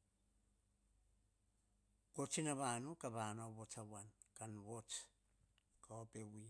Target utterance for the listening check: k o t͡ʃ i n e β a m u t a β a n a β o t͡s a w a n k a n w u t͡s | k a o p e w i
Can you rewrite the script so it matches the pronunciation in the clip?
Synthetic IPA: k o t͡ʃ i n a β a n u k a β a n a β o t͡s a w a n k a n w o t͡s | k a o p e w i

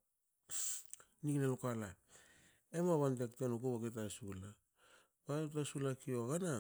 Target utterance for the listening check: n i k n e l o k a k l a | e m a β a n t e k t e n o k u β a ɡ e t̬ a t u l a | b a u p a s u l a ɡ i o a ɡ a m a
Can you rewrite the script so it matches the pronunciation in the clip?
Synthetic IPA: n i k n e l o k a l a | e m a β a n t e k t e n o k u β a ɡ e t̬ a s u l a | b a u t a s u l a k i o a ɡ a n a

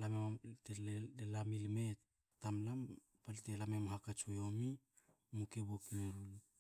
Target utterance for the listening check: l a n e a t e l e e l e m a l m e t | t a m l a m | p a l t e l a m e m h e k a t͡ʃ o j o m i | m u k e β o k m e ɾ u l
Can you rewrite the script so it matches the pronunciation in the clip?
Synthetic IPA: l a m e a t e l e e l a m i l m e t | t a m l a m | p a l t e l a m e m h a k a t͡ʃ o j o m i | m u k e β o k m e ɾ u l

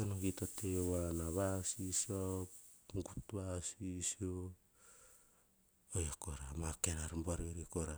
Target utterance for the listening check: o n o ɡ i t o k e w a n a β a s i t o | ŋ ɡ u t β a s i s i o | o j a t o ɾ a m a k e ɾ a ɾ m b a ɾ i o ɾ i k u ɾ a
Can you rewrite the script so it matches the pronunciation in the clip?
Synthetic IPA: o n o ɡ i t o t e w a n a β a s i s o | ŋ ɡ u t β a s i s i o | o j a k o ɾ a m a k e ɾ a ɾ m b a ɾ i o ɾ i k o ɾ a

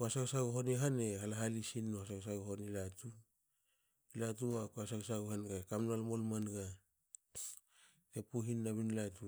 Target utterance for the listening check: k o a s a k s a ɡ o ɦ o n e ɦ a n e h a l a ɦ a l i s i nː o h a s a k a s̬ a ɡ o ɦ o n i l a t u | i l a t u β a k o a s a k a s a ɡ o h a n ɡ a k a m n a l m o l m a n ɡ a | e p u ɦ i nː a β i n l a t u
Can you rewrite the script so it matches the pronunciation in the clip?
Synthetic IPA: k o a s a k s a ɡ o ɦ o n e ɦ a n e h a l a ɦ a l i s i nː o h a s a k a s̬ a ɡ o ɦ o n i l a t u | i l a t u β a k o a s a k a s a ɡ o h a n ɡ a k a m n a l m o l m a n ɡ a | e p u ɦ i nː a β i n l a t u

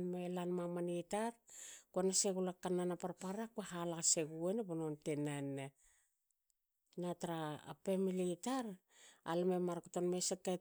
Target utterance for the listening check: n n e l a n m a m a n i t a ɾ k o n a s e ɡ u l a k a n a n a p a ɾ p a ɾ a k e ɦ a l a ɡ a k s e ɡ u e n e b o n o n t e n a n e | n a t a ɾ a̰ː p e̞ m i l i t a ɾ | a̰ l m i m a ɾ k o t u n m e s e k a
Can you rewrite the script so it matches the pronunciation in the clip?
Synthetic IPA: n m e l a n m a m a n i t a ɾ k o n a s e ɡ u l a k a n a n a p a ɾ p a ɾ a k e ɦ a l a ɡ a s e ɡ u e n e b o n o n t e n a n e | n a t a ɾ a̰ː p e̞ m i l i t a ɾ | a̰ l m e m a ɾ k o t o n m e s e k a

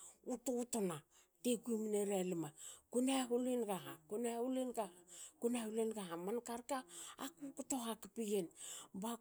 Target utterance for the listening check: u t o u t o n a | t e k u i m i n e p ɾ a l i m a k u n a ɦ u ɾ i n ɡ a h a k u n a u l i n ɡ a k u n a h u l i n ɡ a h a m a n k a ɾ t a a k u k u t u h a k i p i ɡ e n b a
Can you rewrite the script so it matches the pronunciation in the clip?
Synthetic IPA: u t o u t o n a | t e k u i m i n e ɾ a l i m a k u n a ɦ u l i n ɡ a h a k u n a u l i n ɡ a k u n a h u l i n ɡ a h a m a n k a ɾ k a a k u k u t o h a k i p i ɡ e n b a

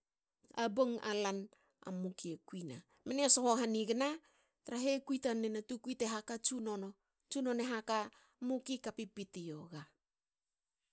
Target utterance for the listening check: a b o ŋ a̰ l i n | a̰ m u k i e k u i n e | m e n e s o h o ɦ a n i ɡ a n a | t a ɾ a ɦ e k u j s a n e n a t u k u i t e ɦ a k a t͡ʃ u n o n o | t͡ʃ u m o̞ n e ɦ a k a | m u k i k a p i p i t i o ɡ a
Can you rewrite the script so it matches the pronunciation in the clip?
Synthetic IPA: a b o ŋ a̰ l a n | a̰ m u k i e k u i n a | m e n e s o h o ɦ a n i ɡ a n a | t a ɾ a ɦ e k u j t a n e n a t u k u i t e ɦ a k a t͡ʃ u n o n o | t͡ʃ u n o̞ n e ɦ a k a | m u k i k a p i p i t i o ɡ a

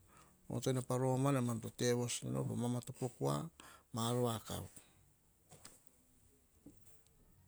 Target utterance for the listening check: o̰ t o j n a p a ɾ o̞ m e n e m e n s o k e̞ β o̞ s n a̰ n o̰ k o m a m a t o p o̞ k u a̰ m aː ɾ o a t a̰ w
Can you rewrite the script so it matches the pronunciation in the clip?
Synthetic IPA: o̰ t o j n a p a ɾ o̞ m a n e m a n t o t e̞ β o̞ s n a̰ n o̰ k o m a m a t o p o̞ k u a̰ m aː ɾ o a k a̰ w

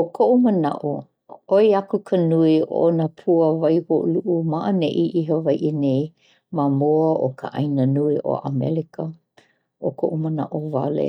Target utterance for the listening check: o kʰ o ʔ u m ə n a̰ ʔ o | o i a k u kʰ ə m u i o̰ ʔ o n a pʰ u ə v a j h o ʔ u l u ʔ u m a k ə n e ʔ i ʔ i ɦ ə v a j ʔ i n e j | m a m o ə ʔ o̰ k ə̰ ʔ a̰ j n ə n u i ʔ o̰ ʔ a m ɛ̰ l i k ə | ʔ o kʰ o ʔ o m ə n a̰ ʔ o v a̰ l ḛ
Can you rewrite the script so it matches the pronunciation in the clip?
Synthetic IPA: o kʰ o ʔ u m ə n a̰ ʔ o | o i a k u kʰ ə n u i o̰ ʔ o n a pʰ u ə v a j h o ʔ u l u ʔ u m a ʔ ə n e ʔ i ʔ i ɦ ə v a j ʔ i n e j | m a m o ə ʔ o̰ k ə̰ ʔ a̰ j n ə n u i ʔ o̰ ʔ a m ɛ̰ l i k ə | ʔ o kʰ o ʔ u m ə n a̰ ʔ o v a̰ l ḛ

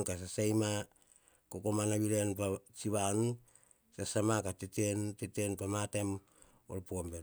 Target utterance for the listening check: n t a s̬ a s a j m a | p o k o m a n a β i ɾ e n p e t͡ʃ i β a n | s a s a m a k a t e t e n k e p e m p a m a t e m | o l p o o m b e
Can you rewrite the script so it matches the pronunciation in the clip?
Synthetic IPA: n k a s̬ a s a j m a | k o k o m a n a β i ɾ e n p a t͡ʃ i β a n | s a s a m a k a t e t e n t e t e n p a m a t e m | o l p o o m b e

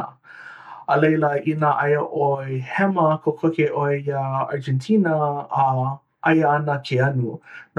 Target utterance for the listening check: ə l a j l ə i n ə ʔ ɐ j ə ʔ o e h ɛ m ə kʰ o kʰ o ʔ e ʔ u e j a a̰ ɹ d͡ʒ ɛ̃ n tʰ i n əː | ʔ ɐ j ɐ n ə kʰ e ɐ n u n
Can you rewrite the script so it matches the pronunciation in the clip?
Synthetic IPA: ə l e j l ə i n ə ʔ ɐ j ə ʔ o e h ɛ m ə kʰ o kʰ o k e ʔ o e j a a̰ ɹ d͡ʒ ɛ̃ n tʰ i n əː | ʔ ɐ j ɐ n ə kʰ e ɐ n u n

